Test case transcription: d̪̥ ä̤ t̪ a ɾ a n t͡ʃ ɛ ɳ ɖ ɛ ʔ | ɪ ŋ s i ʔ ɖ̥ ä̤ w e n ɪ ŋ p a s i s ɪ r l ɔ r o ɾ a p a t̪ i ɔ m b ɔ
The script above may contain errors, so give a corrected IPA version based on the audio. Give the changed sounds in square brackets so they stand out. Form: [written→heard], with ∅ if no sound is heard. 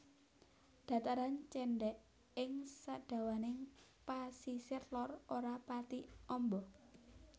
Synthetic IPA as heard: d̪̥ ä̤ t̪ a ɾ a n t͡ʃ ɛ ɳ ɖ ɛ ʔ | ɪ ŋ s [i→a] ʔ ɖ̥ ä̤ w [e→a] n ɪ ŋ p a s i s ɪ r l ɔ r o ɾ a p a t̪ i ɔ m b ɔ